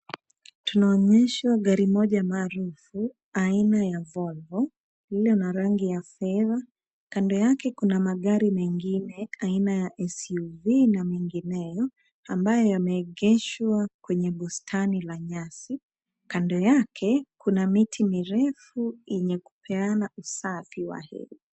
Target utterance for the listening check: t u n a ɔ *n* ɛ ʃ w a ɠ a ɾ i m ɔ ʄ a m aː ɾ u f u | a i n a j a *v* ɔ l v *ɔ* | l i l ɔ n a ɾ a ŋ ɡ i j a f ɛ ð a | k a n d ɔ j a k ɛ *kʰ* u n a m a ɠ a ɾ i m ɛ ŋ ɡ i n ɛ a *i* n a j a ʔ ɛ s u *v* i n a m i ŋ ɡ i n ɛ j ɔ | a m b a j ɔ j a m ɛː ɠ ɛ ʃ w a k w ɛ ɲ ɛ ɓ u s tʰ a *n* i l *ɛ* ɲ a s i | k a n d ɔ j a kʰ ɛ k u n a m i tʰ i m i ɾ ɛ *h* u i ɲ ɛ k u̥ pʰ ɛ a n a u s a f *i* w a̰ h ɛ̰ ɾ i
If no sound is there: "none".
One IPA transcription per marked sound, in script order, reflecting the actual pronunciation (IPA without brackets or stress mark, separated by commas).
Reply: ɲ, v, ɔ, k, i, v, n, a, f, i